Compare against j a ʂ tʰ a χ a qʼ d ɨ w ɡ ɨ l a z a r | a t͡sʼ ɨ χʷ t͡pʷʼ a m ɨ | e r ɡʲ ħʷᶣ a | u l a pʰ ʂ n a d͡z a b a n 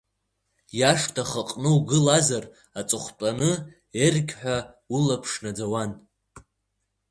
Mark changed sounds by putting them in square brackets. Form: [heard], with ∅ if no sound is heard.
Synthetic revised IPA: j a ʂ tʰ a χ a qʼ [n] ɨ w ɡ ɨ l a z a r | a t͡sʼ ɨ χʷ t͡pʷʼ a [n] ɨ | e r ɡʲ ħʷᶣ a | u l a pʰ ʂ n a d͡z a [w] a n